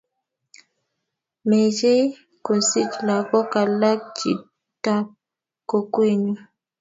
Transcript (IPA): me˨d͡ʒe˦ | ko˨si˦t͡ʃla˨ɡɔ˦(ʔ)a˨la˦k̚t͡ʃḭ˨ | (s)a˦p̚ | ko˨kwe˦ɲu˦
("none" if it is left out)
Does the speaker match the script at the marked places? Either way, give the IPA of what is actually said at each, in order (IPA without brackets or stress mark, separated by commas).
k, t